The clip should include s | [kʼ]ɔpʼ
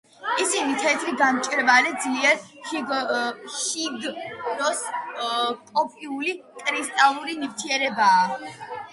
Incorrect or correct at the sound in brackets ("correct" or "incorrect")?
correct